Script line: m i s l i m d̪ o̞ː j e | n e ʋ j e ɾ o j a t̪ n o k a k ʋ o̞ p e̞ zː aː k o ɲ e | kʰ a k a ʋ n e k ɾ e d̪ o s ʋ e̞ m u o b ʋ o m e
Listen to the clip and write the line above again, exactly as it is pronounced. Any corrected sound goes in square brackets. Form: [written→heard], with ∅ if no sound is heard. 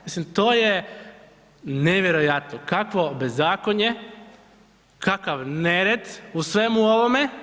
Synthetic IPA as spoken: m i s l i m [d̪→t̪] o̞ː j e | n e ʋ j e ɾ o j a t̪ n o k a k ʋ o̞ [p→b] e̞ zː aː k o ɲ e | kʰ a k a ʋ n e [k→∅] ɾ e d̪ [o→u] s ʋ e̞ m u o [b→∅] ʋ o m e